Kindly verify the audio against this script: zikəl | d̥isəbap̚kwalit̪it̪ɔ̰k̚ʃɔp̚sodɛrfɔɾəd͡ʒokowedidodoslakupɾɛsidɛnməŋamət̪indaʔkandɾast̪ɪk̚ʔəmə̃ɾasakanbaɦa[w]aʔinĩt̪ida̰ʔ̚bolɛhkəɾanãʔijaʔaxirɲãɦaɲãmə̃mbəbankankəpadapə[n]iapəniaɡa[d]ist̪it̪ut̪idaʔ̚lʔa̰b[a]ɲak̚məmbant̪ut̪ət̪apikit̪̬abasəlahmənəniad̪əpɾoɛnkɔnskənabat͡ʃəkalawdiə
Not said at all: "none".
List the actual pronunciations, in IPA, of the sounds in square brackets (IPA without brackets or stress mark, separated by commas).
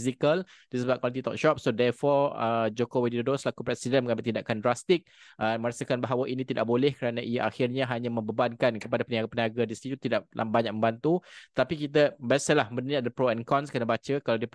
w, n, d, a